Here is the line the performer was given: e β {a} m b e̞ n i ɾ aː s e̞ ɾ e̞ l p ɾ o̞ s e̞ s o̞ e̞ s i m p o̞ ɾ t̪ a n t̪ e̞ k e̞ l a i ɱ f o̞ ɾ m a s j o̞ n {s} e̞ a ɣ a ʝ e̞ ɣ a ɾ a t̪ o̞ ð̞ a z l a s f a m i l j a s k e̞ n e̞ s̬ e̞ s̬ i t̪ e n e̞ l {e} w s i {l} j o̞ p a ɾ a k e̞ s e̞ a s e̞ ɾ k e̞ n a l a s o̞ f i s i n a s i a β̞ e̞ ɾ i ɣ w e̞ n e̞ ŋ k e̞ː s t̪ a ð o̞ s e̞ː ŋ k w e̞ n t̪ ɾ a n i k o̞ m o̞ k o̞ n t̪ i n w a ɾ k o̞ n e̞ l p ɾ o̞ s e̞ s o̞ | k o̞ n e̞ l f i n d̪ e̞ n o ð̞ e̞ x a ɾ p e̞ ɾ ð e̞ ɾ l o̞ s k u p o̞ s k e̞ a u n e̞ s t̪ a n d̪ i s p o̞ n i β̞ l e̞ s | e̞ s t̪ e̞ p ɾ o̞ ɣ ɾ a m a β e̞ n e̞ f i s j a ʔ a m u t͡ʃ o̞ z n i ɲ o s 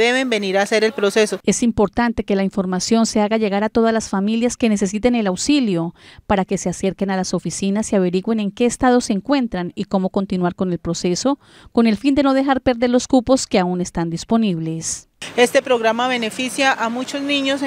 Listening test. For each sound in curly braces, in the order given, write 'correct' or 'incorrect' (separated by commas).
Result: incorrect, correct, incorrect, correct